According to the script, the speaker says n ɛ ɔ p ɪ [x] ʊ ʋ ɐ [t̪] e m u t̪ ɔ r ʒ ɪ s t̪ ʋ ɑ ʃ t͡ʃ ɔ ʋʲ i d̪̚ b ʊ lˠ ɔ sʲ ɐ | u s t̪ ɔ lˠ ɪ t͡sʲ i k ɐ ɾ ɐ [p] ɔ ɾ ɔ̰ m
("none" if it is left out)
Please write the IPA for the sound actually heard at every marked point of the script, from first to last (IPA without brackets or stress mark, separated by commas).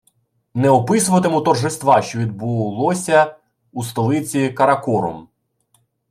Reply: s, t̪, k